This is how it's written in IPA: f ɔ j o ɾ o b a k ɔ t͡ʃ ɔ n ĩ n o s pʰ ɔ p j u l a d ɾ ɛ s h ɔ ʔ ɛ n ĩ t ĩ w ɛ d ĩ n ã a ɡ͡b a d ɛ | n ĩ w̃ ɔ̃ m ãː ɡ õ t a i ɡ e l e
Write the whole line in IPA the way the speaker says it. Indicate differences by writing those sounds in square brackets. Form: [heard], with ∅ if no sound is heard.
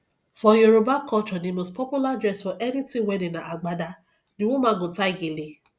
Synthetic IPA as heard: f ɔ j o ɾ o b a k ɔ t͡ʃ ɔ n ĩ [m] o s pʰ ɔ p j u l a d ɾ ɛ s [f] ɔ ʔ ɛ n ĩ t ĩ w ɛ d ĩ n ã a ɡ͡b a d [a] | n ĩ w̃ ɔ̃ m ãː ɡ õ t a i ɡ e l e